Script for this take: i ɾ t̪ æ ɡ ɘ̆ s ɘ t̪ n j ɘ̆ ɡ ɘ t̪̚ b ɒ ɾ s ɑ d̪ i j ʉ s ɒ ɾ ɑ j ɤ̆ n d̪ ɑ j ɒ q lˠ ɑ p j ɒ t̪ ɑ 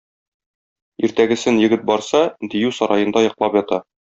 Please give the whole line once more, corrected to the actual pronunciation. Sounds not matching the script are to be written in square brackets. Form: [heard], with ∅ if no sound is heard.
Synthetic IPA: i ɾ t̪ æ ɡ ɘ̆ s ɘ [∅] n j ɘ̆ ɡ ɘ t̪̚ b ɒ ɾ s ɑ d̪ i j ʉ s ɒ ɾ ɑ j ɤ̆ n d̪ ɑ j ɒ q lˠ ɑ p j ɒ t̪ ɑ